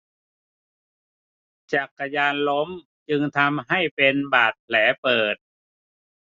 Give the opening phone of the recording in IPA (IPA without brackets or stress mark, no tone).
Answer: t͡ɕ